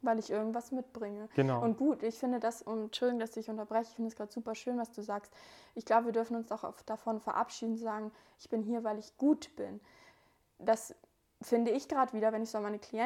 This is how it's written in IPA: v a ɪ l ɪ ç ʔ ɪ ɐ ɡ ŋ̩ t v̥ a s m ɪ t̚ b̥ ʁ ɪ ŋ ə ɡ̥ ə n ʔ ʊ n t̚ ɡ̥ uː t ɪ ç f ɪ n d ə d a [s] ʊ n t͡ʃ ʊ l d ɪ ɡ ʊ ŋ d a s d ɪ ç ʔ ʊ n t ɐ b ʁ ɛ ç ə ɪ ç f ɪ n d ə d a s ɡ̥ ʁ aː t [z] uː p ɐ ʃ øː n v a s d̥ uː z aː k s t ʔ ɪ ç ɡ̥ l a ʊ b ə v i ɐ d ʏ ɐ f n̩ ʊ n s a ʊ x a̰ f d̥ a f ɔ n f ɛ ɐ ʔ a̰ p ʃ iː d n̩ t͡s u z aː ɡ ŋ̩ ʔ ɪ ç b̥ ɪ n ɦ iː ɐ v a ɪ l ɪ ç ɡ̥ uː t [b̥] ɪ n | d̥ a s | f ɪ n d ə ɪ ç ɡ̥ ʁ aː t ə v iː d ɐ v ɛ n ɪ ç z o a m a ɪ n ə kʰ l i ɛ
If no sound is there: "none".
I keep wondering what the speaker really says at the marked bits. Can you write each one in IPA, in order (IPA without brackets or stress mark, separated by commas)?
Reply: s, z, b̥